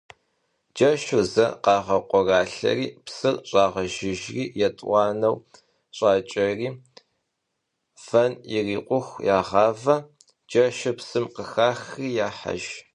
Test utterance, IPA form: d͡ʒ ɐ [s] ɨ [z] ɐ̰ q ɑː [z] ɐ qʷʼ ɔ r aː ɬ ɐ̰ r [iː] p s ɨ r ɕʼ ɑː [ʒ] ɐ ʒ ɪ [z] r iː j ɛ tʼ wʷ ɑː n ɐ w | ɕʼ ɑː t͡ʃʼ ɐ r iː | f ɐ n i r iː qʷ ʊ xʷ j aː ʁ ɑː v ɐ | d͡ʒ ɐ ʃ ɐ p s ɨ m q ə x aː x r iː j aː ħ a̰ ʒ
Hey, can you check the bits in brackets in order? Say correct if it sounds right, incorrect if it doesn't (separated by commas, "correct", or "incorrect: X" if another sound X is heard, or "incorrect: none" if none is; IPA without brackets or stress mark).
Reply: incorrect: ʃ, correct, incorrect: ʁ, correct, incorrect: ʁ, incorrect: ʒ